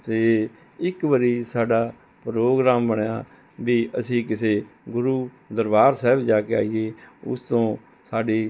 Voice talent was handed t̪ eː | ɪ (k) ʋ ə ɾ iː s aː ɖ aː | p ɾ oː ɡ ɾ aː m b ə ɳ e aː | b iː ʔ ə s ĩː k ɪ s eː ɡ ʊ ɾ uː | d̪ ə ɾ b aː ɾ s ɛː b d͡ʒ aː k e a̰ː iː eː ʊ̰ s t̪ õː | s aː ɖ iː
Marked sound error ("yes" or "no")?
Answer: no